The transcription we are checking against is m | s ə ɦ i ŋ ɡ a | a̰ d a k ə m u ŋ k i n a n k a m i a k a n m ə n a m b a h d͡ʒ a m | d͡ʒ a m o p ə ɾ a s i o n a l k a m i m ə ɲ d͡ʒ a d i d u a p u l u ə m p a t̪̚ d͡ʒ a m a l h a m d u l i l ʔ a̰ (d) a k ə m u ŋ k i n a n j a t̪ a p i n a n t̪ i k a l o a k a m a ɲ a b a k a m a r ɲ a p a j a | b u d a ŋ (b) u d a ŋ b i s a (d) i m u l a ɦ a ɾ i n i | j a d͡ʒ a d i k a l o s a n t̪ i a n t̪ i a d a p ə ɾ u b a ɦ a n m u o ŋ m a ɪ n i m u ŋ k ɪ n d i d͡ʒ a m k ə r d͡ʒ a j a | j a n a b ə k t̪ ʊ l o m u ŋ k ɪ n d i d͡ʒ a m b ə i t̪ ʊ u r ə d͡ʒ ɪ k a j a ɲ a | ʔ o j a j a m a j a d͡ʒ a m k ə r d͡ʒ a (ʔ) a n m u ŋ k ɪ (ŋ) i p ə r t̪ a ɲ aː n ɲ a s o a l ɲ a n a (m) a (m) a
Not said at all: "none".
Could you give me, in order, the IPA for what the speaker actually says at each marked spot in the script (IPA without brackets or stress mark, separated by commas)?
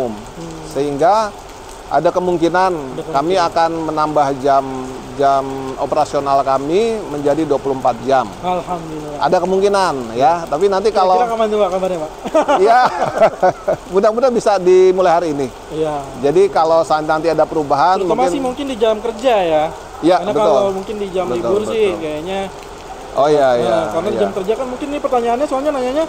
d, b, d, k, n, ɲ, ɲ